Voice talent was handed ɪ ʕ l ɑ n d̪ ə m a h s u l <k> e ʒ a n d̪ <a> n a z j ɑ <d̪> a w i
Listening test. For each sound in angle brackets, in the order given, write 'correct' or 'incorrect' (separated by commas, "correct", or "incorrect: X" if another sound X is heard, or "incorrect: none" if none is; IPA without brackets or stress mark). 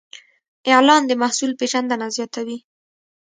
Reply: incorrect: p, correct, incorrect: t̪